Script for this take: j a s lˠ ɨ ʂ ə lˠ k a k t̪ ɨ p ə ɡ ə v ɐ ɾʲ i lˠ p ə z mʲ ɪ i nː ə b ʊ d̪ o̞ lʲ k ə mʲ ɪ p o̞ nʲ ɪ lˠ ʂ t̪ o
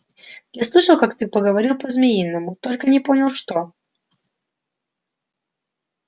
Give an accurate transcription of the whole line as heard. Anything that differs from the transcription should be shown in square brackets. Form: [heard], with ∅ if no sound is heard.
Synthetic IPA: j a s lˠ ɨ ʂ ə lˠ k a k t̪ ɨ p ə ɡ ə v ɐ ɾʲ i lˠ p ə z mʲ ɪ i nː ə [m] ʊ [t̪] o̞ lʲ k ə [nʲ] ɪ p o̞ nʲ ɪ lˠ ʂ t̪ o